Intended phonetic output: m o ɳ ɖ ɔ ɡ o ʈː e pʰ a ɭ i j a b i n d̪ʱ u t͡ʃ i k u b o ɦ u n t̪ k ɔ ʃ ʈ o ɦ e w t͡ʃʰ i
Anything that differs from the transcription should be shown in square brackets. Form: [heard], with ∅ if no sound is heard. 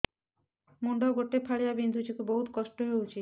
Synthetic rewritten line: m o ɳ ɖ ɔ ɡ o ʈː e pʰ a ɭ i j a b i n d̪ʱ u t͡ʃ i k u b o ɦ u [∅] t̪ k ɔ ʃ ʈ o ɦ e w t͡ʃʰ i